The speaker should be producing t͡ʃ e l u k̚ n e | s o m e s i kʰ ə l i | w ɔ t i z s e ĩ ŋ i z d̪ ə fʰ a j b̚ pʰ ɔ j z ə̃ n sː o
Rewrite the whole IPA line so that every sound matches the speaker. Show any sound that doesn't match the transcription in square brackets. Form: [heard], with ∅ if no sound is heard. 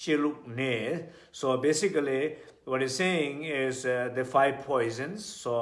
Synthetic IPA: t͡ʃ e l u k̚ n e | s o [b] e s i [k] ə l i | w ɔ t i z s e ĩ ŋ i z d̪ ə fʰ a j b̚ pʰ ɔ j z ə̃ n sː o